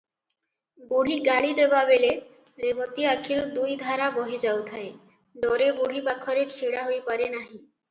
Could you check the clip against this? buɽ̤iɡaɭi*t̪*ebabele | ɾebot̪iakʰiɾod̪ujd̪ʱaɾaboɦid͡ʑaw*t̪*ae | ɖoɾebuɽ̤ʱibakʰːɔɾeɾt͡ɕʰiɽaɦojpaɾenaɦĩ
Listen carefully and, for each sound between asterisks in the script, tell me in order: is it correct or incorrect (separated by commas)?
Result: incorrect, incorrect